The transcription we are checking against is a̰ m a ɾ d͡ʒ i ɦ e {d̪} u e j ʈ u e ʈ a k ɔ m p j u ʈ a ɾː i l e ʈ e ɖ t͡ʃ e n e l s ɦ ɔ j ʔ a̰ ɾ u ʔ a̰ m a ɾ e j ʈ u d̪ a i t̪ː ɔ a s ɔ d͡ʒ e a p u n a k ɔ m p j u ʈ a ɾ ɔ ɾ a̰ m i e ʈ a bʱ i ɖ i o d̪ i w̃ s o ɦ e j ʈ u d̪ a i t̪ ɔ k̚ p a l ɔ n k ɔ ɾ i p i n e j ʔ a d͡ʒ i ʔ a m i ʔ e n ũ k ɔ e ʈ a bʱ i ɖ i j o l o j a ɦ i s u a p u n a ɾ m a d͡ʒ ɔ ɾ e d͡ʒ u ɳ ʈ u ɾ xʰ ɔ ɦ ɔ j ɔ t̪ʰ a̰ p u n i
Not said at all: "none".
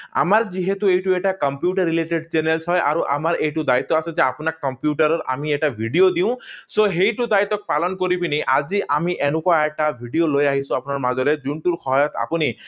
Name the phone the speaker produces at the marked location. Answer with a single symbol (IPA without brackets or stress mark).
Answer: t̪